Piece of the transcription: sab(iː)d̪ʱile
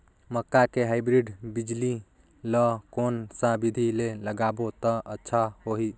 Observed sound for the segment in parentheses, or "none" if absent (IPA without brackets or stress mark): i